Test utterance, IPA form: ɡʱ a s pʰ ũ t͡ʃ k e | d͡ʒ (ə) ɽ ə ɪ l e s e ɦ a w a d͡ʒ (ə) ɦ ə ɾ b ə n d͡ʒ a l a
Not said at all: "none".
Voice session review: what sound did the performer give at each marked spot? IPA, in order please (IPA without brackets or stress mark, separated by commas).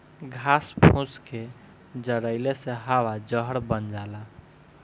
ə, ə